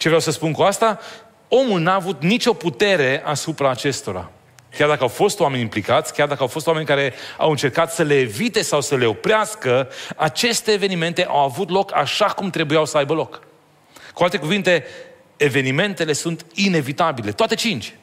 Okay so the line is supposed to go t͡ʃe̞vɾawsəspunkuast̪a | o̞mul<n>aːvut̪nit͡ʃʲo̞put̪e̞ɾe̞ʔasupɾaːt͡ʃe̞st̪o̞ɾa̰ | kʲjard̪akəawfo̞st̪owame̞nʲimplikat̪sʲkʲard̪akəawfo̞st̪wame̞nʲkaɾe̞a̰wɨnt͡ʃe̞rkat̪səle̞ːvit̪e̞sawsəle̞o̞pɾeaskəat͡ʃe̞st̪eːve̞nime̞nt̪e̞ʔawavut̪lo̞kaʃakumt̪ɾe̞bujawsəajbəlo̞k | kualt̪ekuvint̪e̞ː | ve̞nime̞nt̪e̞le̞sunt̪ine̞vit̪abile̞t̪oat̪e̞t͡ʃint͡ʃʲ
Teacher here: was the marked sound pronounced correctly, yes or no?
yes